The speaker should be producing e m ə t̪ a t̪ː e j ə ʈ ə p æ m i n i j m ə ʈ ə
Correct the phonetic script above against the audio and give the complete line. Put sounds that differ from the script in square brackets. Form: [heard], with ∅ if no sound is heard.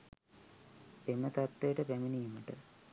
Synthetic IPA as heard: e m ə t̪ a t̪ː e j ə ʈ ə p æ m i n i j m ə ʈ ə